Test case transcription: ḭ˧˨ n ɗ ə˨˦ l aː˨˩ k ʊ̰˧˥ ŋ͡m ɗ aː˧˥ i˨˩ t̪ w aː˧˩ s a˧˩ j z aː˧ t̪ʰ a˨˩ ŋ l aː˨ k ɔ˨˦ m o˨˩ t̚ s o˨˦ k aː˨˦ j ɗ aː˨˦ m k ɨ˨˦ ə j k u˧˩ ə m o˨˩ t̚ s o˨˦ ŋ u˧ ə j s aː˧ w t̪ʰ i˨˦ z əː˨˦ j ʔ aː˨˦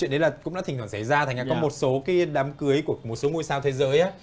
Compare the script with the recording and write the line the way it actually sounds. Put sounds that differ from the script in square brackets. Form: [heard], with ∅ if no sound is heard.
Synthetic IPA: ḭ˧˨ n ɗ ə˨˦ l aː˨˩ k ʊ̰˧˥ ŋ͡m ɗ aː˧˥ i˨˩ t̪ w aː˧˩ s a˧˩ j z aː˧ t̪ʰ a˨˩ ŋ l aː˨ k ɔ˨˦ m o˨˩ t̚ s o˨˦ k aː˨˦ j ɗ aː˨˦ m k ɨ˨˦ ə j k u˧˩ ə m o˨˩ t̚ s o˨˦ ŋ u˧ ə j s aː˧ w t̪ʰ [e˨˦] z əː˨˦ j ʔ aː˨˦